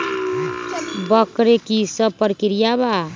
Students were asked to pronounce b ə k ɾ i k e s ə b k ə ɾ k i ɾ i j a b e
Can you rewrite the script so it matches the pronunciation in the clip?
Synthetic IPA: b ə k ɾ e k i s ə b p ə ɾ k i ɾ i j a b a